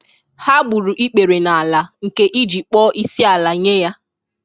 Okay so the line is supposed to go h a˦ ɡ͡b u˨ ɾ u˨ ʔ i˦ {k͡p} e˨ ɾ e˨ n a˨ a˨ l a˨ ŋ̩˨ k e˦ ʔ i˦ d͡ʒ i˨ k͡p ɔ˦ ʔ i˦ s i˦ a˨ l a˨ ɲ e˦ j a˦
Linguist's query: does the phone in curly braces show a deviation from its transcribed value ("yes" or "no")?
no